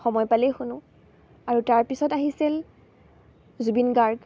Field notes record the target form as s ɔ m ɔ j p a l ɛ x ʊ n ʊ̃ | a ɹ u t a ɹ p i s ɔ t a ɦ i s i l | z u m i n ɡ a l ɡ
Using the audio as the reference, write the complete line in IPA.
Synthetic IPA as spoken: x ɔ m ɔ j p a l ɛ x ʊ n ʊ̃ | a ɹ u t a ɹ p i s ɔ t a ɦ i s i l | z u b i n ɡ a ɹ ɡ

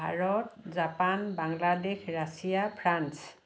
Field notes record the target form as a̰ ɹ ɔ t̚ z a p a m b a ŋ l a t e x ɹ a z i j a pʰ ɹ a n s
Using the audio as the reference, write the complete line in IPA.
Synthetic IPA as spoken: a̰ ɹ ɔ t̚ z a p a n b a ŋ l a d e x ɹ a s i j a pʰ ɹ a n s

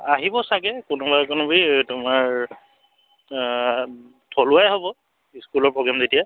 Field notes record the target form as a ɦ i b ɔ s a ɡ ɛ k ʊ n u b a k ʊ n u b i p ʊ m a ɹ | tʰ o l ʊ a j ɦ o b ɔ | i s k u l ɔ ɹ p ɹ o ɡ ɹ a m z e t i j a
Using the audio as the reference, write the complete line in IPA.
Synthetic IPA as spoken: a ɦ i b ɔ s a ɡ ɛ k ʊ n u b a k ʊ n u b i t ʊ m a ɹ | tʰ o l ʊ a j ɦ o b ɔ | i s k u l ɔ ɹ p ɹ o ɡ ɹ a m z e t i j a

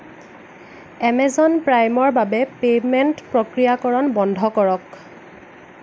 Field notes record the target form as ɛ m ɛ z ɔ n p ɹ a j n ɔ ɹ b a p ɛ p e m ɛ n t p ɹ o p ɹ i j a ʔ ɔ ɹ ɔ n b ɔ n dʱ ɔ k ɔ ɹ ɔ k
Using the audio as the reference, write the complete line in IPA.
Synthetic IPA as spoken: ɛ m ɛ z ɔ n p ɹ a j m ɔ ɹ b a b ɛ p e m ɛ n t p ɹ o k ɹ i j a k ɔ ɹ ɔ n b ɔ n dʱ ɔ k ɔ ɹ ɔ k

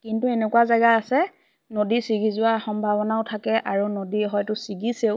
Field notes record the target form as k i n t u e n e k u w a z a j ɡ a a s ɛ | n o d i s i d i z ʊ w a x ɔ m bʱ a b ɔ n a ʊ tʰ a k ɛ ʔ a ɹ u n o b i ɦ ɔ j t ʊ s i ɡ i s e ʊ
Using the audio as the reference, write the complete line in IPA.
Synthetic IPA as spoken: k i n t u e n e k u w a z a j ɡ a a s ɛ | n o d i s i ɡ i z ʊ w a x ɔ m bʱ a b ɔ n a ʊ tʰ a k ɛ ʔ a ɹ u n o d i ɦ ɔ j t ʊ s i ɡ i s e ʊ

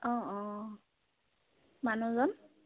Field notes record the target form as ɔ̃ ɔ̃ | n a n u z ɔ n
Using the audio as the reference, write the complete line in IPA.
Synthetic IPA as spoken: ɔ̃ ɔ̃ | m a n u z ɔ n

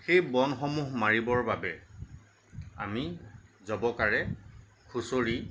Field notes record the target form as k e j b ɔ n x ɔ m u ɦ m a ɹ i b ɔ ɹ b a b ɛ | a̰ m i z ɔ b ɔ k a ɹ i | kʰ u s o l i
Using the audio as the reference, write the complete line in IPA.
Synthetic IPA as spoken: x e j b ɔ n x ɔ m u ɦ m a ɹ i b ɔ ɹ b a b ɛ | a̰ m i z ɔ b ɔ k a ɹ ɛ | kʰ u s o ɹ i

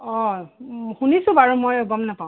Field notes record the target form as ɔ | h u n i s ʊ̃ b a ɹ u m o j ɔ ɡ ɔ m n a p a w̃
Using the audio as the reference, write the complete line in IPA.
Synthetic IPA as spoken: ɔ | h u n i s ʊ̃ b a ɹ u m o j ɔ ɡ ɔ m n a p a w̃

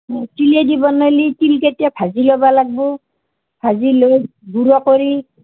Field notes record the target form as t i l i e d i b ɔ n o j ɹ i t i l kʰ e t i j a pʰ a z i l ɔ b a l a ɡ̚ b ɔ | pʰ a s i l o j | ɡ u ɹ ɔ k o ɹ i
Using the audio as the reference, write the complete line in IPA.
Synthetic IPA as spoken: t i l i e d i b ɔ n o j l i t i l k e t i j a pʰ a z i l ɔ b a l a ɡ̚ b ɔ | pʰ a z i l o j | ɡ u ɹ ɔ k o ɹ i

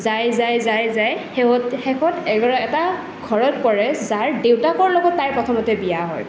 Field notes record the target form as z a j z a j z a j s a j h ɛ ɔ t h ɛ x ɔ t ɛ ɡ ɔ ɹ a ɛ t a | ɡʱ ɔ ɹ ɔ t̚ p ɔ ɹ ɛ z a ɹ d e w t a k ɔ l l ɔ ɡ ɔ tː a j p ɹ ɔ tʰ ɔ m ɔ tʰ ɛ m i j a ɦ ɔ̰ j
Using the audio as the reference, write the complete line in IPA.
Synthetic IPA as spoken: z a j z a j z a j z a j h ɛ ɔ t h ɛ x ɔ t ɛ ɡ ɔ ɹ a ɛ t a | ɡʱ ɔ ɹ ɔ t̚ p ɔ ɹ ɛ z a ɹ d e w t a k ɔ ɹ l ɔ ɡ ɔ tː a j p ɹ ɔ tʰ ɔ m ɔ t ɛ b i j a ɦ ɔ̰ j

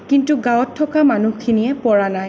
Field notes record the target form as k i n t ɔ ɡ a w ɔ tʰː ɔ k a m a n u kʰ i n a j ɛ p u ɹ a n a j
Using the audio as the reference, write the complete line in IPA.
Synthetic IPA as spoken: k i n t u ɡ a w ɔ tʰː ɔ k a m a n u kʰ i n i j ɛ p ɔ ɹ a n a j

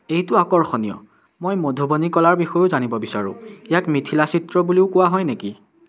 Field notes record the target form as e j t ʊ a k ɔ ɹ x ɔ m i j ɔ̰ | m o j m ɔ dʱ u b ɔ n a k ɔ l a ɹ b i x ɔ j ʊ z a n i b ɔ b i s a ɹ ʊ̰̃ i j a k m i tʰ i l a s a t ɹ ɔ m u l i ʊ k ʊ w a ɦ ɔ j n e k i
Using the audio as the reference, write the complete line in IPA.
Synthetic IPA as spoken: e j t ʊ a k ɔ ɹ x ɔ n i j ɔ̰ | m o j m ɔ dʱ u b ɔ n i k ɔ l a ɹ b i x ɔ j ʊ z a n i b ɔ b i s a ɹ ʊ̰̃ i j a k m i tʰ i l a s i t ɹ ɔ b u l i ʊ k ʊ w a ɦ ɔ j n e k i

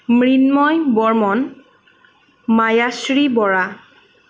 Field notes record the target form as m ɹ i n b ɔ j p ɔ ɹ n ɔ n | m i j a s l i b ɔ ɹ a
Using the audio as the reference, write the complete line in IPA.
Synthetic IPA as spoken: m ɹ i n m ɔ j b ɔ ɹ m ɔ n | m a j a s ɹ i b ɔ ɹ a

